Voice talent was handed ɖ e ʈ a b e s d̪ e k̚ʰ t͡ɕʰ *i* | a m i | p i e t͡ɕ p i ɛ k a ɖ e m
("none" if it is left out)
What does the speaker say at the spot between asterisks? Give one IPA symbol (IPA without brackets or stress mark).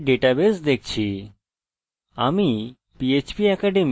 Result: i